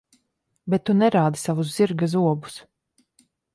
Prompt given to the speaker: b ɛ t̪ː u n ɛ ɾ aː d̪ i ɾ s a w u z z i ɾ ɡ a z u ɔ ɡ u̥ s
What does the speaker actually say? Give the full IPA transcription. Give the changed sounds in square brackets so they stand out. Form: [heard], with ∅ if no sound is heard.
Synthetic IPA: b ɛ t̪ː u n ɛ ɾ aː d̪ i [∅] s a [v] u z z i ɾ ɡ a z u ɔ [b] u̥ s